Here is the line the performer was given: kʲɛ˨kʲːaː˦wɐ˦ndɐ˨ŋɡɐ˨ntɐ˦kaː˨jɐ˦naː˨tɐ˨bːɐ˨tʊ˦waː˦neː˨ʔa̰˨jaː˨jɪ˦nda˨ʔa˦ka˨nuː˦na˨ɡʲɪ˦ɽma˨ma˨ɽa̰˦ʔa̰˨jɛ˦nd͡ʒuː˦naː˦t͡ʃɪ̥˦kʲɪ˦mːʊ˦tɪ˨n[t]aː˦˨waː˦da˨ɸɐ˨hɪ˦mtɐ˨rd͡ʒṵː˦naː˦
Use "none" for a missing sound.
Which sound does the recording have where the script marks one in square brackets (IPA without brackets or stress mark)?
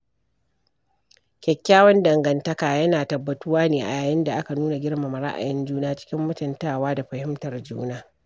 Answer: t